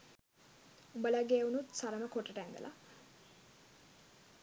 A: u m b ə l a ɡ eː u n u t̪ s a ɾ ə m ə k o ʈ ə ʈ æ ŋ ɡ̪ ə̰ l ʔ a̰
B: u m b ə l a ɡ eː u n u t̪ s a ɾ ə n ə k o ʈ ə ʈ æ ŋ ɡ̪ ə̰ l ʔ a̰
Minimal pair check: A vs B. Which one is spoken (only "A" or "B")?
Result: A